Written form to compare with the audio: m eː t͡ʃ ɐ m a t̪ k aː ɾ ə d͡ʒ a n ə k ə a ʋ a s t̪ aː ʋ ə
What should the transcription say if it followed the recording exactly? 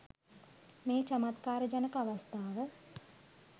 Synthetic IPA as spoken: m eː t͡ʃ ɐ m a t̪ k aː ɾ ə d͡ʒ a n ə k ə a ʋ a s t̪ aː ʋ ə